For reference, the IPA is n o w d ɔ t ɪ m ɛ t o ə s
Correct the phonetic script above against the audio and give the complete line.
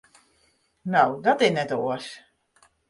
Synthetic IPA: n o w d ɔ t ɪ n ɛ t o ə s